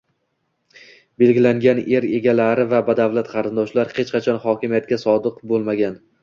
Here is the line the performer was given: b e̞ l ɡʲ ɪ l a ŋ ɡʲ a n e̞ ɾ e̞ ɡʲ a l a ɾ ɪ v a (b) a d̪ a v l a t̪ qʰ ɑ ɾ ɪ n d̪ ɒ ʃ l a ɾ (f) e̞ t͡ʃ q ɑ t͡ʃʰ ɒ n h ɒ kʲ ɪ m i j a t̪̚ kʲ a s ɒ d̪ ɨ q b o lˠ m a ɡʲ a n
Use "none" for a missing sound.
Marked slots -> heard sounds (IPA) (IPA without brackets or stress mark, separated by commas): b, h